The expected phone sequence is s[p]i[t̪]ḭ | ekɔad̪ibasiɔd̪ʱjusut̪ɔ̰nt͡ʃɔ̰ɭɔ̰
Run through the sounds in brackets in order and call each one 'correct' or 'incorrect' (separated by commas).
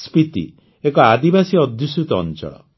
correct, correct